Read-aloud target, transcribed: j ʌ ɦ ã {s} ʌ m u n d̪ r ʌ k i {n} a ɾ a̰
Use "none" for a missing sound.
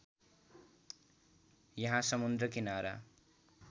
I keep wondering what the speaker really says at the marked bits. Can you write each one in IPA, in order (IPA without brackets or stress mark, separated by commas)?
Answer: s, n